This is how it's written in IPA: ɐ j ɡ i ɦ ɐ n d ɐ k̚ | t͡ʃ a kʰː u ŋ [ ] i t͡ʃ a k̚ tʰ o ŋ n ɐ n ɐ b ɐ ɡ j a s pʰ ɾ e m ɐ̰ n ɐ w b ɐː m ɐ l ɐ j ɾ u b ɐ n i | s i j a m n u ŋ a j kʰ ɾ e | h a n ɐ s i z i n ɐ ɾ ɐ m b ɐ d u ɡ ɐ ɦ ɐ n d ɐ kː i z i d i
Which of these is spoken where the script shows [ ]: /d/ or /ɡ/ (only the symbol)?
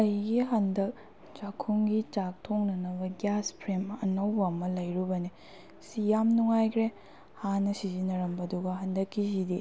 ɡ